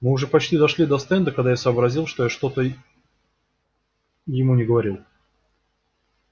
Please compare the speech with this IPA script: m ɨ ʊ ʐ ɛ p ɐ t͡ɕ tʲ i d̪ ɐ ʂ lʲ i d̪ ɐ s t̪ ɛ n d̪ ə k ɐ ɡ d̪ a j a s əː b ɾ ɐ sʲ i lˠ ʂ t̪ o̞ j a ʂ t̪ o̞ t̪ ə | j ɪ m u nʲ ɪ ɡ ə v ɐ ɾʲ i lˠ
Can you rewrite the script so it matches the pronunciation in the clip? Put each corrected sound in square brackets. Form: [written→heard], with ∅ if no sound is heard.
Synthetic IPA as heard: m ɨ ʊ ʐ ɛ p ɐ t͡ɕ tʲ i d̪ ɐ ʂ lʲ i d̪ ɐ s t̪ ɛ n d̪ ə k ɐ ɡ d̪ a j a s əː b ɾ ɐ [sʲ→zʲ] i lˠ ʂ t̪ o̞ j a ʂ t̪ o̞ t̪ ə | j ɪ m u nʲ ɪ ɡ ə v ɐ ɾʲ i lˠ